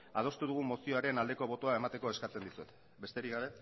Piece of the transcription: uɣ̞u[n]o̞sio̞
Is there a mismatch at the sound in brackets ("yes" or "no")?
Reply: yes